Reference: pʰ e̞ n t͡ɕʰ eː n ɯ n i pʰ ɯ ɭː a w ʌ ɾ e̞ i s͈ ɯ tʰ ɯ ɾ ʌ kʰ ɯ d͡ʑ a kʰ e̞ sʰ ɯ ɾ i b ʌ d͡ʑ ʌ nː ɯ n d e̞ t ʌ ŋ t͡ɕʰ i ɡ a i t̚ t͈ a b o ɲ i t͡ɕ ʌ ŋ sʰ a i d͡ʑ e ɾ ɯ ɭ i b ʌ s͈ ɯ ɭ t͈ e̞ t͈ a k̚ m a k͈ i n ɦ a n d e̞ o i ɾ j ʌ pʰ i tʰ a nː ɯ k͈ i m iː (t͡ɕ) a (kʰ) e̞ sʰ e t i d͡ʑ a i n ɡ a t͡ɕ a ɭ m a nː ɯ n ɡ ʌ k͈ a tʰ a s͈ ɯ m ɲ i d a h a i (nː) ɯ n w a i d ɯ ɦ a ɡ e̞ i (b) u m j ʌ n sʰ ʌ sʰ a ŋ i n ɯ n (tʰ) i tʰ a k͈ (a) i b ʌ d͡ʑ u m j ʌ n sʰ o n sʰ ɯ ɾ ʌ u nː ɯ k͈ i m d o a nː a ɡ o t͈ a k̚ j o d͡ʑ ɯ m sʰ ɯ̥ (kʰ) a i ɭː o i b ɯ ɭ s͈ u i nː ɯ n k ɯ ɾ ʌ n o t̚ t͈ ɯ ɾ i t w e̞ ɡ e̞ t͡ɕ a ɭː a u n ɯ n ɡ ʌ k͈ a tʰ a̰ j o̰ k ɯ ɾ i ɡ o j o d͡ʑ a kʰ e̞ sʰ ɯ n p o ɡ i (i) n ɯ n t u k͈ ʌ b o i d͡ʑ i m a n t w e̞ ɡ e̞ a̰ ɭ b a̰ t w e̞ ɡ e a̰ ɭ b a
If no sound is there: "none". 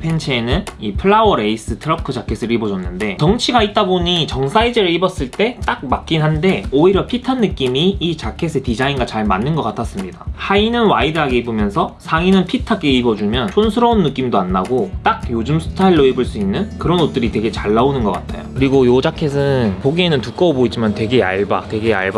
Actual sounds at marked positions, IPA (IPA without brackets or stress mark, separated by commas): t͡ɕ, kʰ, n, b, pʰ, e, tʰ, e